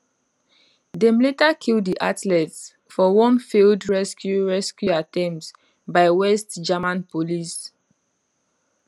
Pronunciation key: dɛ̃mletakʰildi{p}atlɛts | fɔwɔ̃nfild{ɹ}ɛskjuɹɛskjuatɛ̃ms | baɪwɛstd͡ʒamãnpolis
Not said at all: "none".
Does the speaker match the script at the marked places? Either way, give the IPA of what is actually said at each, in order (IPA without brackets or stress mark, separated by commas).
ʔ, ɹ